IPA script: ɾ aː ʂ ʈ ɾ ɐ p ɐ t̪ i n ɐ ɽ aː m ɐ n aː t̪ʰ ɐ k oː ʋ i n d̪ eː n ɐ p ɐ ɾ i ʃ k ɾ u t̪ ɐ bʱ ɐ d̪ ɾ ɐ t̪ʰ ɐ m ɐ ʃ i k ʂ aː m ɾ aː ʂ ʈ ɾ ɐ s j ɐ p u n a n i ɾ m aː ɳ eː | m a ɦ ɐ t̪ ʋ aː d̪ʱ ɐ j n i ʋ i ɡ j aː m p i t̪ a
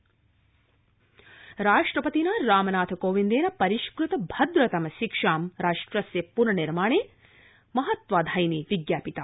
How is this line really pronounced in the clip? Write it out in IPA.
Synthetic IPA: ɾ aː ʂ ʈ ɾ ɐ p ɐ t̪ i n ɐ ɾ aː m ɐ n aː t̪ʰ ɐ k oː ʋ i n d̪ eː n ɐ p ɐ ɾ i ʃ k ɾ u t̪ ɐ bʱ ɐ d̪ ɾ ɐ t̪ ɐ m ɐ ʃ i k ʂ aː m ɾ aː ʂ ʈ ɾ ɐ s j ɐ p u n ɐ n i ɾ m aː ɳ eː | m ɐ ɦ ɐ t̪ ʋ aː d̪ʱ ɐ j n i ʋ i ɡ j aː p i t̪ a